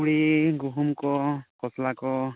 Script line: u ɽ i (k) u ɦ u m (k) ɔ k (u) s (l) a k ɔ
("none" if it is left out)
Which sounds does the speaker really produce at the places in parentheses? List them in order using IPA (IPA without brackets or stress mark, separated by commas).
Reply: ɡ, k, ɔ, l